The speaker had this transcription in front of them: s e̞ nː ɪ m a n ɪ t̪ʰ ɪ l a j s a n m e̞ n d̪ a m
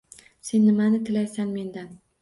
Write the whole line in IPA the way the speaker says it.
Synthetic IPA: s e̞ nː ɪ m a n ɪ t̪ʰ ɪ l a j s a n m e̞ n d̪ a n